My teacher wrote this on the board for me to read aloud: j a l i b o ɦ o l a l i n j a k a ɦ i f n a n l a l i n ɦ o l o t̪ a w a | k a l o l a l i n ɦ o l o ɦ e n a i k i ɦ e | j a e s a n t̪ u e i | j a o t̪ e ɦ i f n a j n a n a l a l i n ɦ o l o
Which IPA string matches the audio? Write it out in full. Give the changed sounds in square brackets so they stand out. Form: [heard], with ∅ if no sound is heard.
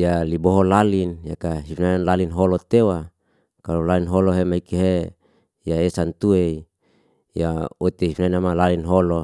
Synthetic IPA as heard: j a l i b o ɦ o l a l i n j a k a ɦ i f n a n l a l i n ɦ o l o t̪ [e] w a | k a l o l a l i n ɦ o l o ɦ e [m] a i k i ɦ e | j a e s a n t̪ u e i | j a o t̪ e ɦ i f n a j n a [m] a l a l i n ɦ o l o